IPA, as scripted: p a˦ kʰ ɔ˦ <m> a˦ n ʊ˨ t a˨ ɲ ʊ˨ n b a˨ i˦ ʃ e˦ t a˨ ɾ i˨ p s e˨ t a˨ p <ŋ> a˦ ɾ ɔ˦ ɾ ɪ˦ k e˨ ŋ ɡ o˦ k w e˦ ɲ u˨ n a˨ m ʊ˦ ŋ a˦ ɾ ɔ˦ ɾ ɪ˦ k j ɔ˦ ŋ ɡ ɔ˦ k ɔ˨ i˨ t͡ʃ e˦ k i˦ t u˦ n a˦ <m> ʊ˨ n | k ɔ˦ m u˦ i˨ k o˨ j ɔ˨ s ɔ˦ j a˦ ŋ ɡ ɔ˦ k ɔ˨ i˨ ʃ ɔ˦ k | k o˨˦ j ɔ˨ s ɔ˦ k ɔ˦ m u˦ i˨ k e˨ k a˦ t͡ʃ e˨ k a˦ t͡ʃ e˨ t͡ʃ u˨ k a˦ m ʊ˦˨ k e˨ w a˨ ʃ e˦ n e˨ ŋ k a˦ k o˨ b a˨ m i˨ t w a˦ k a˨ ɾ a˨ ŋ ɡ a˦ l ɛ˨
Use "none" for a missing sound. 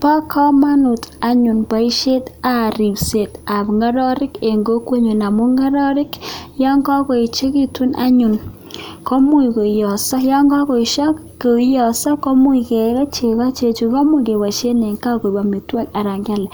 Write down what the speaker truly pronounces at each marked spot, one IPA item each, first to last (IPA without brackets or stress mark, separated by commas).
m, ŋ, ɲ